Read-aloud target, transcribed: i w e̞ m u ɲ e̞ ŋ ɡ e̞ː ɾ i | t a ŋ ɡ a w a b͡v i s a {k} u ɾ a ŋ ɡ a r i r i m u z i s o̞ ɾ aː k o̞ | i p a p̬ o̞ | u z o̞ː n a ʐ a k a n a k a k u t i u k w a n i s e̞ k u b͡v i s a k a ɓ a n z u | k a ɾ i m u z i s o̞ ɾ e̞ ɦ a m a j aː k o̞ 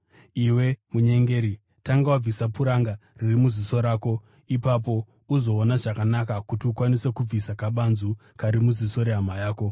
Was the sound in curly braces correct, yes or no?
no